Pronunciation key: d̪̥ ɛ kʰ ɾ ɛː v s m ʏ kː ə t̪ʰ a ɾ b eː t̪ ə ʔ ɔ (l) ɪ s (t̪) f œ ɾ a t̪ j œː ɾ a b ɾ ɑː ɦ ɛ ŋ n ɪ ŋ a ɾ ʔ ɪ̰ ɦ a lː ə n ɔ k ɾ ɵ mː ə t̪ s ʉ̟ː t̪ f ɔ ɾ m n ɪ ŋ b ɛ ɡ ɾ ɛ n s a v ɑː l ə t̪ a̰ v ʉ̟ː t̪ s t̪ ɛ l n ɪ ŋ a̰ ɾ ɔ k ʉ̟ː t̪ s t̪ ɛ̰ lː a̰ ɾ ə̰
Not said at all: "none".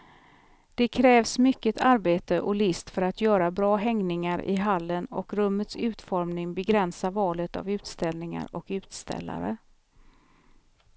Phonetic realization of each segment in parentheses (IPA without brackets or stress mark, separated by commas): l, t̪